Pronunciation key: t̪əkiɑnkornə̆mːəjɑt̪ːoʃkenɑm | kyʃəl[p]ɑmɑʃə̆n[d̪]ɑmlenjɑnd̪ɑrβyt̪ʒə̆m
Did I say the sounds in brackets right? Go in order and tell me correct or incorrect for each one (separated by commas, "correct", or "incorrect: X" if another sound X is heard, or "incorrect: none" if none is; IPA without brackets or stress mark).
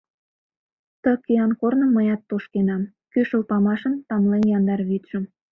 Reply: correct, incorrect: t̪